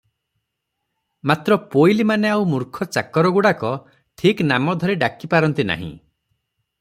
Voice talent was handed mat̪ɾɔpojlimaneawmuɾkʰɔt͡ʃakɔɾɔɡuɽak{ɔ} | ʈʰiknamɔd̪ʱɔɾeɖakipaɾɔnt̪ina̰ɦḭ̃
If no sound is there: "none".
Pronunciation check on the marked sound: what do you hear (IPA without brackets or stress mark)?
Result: ɔ